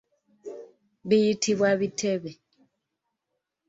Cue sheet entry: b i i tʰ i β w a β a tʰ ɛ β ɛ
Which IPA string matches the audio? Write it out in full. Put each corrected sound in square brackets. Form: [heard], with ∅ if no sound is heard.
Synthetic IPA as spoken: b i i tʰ i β w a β [i] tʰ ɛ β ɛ

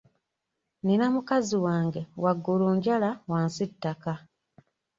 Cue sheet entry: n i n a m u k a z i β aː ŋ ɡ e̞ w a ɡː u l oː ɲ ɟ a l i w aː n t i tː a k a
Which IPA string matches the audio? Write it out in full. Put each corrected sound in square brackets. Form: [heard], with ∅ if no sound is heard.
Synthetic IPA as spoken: n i n a m u k a z i [w] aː ŋ ɡ e̞ w a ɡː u l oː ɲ ɟ a l [a] w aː n [s] i tː a k a

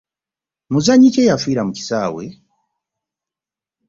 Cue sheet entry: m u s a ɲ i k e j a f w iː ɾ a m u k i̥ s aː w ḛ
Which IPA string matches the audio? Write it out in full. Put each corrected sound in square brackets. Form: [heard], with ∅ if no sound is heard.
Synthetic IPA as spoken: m u [z] a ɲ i [c] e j a f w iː ɾ a m u [c] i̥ s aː w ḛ

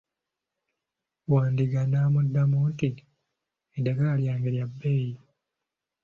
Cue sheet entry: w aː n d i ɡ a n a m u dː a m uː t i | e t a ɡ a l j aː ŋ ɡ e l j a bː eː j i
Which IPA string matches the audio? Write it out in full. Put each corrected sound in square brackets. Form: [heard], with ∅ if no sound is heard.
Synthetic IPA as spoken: w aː n d i ɡ a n a m u dː a m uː t i | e [d] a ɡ a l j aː ŋ ɡ e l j a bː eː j i

